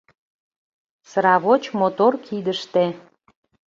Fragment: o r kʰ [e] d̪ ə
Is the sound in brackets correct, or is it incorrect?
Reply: incorrect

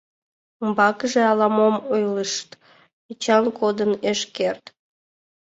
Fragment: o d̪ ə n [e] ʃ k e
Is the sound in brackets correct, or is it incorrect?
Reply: correct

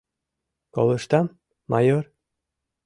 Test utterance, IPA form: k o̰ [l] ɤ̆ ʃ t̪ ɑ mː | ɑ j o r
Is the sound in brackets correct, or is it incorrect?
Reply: correct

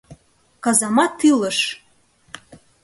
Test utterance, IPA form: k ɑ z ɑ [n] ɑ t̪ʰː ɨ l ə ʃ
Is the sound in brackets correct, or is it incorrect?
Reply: incorrect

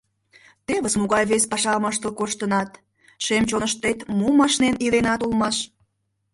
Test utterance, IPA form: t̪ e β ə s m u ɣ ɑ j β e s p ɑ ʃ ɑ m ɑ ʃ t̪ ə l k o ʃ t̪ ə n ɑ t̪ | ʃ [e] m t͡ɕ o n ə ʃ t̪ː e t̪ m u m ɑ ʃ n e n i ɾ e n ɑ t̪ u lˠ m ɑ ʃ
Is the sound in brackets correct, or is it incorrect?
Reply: correct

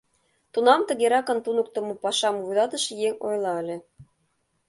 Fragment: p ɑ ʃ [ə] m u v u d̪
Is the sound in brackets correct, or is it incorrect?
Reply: incorrect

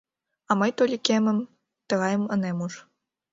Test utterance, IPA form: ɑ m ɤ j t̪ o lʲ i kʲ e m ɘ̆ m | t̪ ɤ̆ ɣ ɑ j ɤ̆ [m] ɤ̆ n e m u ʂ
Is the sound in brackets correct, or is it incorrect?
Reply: correct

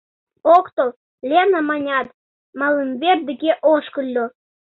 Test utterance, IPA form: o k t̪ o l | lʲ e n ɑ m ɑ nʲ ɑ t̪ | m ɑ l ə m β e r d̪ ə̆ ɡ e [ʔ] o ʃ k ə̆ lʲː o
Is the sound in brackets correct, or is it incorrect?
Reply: correct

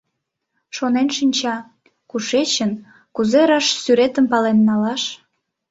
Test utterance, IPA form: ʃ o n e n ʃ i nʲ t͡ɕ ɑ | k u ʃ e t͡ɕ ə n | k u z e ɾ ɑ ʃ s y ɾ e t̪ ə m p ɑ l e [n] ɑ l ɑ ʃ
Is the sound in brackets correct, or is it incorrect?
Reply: incorrect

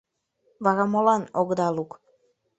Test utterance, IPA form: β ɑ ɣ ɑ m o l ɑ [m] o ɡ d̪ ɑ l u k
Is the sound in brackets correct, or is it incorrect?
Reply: incorrect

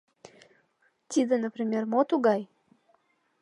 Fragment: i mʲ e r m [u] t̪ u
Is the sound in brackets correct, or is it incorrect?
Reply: incorrect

